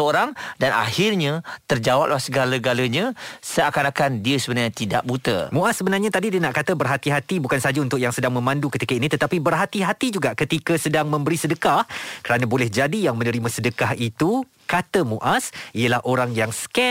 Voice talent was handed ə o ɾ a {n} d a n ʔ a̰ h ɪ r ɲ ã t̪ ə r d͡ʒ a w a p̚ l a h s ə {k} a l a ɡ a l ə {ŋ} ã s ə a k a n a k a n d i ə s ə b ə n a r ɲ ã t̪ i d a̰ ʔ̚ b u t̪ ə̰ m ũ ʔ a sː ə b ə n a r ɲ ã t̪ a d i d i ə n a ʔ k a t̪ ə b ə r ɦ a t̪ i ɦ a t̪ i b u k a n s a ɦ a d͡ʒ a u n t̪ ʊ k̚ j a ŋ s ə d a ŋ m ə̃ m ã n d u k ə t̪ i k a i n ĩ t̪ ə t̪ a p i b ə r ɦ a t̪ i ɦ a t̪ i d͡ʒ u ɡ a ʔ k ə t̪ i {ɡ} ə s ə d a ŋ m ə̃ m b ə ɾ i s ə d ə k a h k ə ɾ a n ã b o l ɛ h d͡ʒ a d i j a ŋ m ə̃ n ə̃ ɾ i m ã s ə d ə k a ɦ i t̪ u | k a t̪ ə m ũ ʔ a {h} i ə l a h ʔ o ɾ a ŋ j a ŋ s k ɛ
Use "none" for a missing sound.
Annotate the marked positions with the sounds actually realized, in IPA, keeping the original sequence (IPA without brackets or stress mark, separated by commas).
ŋ, ɡ, ɲ, k, s